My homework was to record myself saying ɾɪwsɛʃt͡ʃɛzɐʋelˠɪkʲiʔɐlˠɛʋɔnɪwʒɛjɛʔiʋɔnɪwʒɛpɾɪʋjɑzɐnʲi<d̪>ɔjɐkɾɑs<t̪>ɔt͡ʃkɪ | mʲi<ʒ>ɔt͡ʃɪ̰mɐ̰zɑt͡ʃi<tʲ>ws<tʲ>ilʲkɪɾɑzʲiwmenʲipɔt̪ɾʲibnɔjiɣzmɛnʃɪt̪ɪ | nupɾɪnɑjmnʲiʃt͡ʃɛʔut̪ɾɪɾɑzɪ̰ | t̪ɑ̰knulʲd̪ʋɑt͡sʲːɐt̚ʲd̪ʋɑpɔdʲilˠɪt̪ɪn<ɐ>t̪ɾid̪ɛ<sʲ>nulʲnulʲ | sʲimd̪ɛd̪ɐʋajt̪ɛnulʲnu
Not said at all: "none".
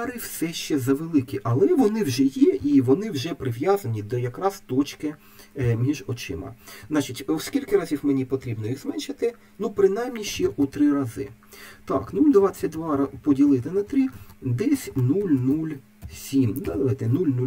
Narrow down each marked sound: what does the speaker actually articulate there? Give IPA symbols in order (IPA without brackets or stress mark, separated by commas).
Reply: d̪, t̪, ʒ, tʲ, kʲ, ɐ, sʲ